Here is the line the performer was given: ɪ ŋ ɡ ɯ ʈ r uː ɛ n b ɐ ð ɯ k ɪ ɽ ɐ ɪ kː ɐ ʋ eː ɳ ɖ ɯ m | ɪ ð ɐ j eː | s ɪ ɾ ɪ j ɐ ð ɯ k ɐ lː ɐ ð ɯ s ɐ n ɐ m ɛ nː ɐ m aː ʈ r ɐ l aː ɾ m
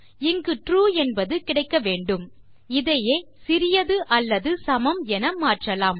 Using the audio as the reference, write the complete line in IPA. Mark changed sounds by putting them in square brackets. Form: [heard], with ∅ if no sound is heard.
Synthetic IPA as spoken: ɪ ŋ ɡ ɯ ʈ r uː ɛ n b ɐ ð ɯ k ɪ ɽ ɐ ɪ kː ɐ ʋ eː ɳ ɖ ɯ m | ɪ ð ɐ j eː | s ɪ ɾ ɪ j ɐ ð ɯ [ʔ] ɐ lː ɐ ð ɯ s ɐ [m] ɐ m ɛ [n] ɐ m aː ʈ r ɐ l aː [∅] m